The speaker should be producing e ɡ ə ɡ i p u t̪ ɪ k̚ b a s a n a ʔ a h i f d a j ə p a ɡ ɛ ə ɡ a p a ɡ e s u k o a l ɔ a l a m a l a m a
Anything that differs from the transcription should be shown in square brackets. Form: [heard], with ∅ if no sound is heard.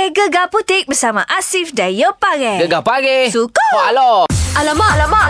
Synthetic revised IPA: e ɡ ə ɡ [a] p u t̪ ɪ k̚ b [ə] s a [m] a ʔ a [s] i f d a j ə p a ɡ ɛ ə ɡ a p a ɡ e s u k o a l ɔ a l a m a l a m a